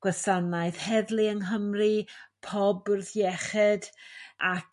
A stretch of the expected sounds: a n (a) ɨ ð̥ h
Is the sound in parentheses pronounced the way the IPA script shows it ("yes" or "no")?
yes